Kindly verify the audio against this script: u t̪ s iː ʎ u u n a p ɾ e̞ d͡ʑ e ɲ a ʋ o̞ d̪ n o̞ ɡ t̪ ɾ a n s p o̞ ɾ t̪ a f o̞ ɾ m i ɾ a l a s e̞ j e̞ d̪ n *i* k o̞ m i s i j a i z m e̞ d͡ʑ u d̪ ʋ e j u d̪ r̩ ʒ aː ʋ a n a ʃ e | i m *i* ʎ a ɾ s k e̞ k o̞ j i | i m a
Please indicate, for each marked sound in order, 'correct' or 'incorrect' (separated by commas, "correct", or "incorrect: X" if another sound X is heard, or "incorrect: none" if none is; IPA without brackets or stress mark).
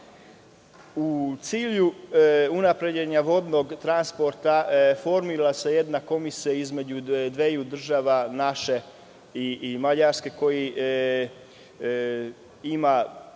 incorrect: a, incorrect: a